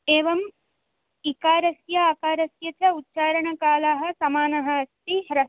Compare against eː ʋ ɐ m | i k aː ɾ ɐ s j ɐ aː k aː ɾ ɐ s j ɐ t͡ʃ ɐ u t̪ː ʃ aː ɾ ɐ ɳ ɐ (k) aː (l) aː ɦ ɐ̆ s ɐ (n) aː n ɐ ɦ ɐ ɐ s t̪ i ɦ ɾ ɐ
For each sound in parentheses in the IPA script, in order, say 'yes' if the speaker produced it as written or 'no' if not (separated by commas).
yes, yes, no